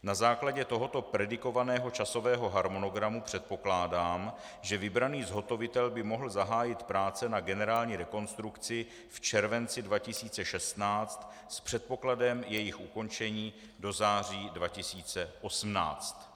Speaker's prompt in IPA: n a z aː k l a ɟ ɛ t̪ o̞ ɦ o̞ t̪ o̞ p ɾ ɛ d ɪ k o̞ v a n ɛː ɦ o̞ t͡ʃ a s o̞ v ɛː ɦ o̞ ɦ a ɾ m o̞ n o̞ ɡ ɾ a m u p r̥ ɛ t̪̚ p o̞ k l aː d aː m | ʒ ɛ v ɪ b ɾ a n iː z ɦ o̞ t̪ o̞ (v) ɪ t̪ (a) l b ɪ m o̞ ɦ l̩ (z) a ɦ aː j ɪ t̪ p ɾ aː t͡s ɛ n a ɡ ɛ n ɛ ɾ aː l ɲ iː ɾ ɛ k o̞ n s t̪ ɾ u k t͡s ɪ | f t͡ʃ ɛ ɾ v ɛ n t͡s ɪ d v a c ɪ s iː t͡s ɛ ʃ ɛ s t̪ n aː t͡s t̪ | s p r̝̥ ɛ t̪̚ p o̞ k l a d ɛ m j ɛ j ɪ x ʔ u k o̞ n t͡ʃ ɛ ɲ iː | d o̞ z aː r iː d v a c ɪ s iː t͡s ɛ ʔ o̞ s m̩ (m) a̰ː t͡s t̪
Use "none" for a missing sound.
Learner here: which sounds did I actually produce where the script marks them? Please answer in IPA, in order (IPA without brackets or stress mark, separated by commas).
v, ɛ, z, n